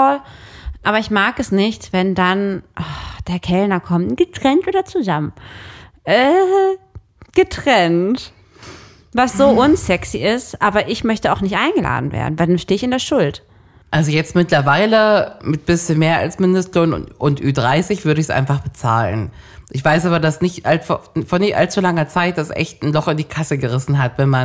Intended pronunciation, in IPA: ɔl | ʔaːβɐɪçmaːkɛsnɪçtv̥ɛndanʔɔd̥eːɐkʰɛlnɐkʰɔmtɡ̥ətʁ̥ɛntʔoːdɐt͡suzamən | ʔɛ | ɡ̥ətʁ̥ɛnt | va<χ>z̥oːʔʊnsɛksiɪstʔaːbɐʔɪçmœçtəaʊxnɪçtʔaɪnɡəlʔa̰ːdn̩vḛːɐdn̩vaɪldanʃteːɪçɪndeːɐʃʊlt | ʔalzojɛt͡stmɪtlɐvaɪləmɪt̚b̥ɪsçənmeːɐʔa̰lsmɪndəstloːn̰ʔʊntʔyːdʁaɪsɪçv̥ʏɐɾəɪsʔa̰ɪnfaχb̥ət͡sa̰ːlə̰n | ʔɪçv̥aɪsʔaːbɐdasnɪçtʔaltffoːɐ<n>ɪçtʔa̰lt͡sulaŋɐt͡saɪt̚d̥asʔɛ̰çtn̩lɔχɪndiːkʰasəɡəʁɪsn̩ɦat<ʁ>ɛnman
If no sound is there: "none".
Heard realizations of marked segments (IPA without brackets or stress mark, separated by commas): s, n, v